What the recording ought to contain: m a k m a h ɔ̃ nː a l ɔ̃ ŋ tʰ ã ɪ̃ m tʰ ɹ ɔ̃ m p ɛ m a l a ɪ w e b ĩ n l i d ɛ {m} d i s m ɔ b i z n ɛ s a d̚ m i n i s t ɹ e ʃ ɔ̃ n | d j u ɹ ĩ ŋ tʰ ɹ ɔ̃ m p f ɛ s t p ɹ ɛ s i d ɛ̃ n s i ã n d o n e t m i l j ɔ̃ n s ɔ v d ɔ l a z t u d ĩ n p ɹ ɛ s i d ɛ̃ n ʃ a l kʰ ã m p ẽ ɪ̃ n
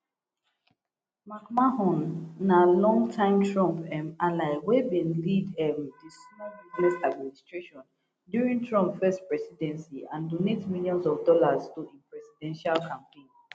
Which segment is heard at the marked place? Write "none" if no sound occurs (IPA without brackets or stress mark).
m